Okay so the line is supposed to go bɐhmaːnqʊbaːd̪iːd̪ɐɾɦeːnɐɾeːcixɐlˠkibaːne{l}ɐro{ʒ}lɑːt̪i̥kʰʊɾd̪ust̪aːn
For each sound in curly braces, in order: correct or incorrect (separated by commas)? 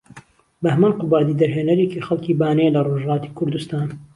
correct, correct